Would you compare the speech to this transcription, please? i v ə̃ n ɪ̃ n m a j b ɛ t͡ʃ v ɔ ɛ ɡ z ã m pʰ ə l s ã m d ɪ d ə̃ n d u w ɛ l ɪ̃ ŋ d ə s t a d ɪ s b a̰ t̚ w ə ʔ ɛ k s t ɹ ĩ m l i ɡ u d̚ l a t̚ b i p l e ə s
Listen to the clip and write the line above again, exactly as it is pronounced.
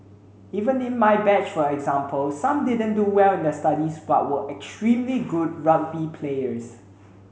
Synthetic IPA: i v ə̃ n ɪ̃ n m a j b ɛ t͡ʃ f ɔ ɛ ɡ z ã m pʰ ə l s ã m d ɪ d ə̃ n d u w ɛ l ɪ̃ n d ə s t a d i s b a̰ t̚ w ə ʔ ɛ k s t ɹ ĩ m l i ɡ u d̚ ɹ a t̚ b i pʰ l e ə s